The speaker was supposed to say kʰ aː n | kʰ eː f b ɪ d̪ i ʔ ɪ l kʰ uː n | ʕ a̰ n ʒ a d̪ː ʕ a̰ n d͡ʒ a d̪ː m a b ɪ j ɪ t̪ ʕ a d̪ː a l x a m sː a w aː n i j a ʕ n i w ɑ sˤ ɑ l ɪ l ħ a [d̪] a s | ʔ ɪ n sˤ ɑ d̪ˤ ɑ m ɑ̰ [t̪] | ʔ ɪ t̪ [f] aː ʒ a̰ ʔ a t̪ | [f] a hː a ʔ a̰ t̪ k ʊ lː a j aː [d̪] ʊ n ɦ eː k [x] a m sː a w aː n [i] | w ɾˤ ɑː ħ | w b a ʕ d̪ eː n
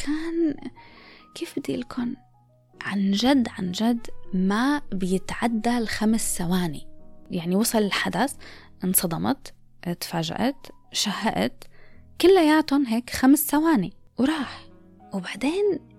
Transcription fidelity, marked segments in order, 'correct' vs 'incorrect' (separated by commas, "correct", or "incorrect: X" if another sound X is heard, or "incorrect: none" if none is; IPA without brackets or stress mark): correct, correct, correct, incorrect: ʃ, incorrect: t̪, correct, correct